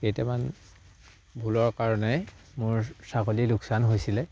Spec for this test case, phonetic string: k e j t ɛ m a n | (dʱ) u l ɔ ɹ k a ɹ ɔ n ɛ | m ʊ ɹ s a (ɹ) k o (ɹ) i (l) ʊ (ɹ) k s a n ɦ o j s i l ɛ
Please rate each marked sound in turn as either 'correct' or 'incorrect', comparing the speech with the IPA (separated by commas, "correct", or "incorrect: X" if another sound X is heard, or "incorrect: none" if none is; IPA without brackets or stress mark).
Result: incorrect: bʱ, incorrect: none, incorrect: l, correct, incorrect: none